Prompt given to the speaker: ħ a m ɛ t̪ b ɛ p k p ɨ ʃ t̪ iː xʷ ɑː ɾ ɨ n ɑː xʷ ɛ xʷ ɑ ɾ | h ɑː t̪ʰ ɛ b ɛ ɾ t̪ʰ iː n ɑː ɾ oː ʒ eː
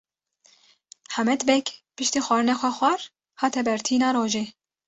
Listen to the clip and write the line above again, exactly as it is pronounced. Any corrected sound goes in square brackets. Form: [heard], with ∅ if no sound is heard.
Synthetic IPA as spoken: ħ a m ɛ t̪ b ɛ [∅] k p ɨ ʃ t̪ iː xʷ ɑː ɾ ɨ n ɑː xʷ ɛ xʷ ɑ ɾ | h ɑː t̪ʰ ɛ b ɛ ɾ t̪ʰ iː n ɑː ɾ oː ʒ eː